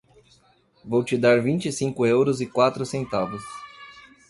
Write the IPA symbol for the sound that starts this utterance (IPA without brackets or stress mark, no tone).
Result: v